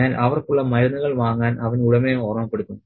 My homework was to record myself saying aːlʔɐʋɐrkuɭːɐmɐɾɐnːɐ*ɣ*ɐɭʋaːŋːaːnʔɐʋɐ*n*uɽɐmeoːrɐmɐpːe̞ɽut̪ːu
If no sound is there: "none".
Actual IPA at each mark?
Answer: ɣ, n

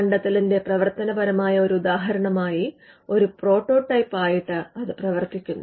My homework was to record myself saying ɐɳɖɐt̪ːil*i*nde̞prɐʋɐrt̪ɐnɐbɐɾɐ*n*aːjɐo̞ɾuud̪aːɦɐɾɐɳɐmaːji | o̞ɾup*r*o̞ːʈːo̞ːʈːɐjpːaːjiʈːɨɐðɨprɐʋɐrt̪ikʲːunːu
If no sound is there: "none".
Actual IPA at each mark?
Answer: i, m, r

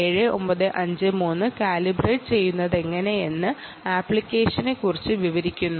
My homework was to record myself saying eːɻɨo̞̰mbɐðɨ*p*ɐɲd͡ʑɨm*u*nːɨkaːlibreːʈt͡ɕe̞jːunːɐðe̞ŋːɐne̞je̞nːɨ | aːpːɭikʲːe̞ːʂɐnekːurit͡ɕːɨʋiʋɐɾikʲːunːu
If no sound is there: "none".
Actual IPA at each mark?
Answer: ʔ, uː

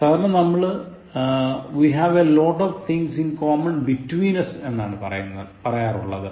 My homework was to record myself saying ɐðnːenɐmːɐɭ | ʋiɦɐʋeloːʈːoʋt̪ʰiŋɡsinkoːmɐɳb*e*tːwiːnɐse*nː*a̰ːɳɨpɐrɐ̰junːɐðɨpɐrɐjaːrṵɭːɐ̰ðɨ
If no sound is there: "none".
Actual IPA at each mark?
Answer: i, nː

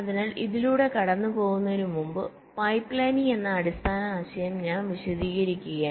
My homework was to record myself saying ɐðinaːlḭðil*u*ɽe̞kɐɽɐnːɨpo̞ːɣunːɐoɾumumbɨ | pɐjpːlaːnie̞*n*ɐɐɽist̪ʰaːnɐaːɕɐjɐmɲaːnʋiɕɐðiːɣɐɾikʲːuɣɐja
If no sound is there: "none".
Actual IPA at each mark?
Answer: uː, nː

